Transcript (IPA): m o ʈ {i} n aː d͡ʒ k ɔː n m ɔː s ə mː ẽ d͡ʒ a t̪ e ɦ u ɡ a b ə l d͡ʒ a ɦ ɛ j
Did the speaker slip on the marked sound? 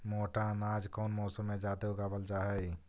yes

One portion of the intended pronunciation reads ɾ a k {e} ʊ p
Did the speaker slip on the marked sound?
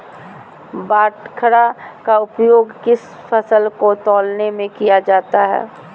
yes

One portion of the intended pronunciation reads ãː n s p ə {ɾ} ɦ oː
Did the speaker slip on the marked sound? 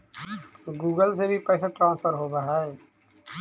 no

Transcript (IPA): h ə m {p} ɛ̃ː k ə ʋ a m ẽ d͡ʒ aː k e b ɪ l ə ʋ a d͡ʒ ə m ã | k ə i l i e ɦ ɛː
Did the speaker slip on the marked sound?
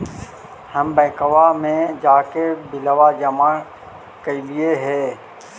yes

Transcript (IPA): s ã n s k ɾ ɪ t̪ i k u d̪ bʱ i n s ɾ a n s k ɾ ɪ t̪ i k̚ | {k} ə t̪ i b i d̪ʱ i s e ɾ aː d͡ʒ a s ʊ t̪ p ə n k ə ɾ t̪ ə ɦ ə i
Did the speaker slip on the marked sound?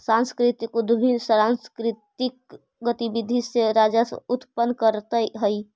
yes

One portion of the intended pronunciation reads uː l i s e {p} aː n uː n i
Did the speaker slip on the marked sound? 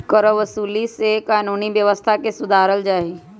yes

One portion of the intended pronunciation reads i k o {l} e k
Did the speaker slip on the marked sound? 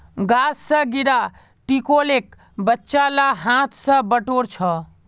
no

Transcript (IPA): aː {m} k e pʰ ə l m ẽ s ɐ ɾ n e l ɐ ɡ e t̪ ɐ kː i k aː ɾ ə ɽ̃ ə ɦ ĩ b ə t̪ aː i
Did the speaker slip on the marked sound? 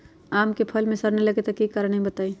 no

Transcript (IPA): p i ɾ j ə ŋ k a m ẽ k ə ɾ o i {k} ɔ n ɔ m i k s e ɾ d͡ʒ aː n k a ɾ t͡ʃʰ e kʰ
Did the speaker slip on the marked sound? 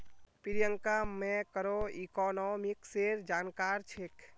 no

